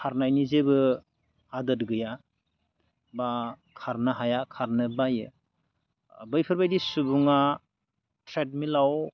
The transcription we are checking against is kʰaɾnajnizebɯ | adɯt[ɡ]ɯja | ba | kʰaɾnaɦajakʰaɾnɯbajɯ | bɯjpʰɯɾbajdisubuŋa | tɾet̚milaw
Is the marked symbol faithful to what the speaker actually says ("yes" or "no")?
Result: yes